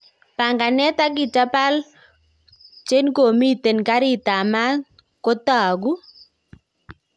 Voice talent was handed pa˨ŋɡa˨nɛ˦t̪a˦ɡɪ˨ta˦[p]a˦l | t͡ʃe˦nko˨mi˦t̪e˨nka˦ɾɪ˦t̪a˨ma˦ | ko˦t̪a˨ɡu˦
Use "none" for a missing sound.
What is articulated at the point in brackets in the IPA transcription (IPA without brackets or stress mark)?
p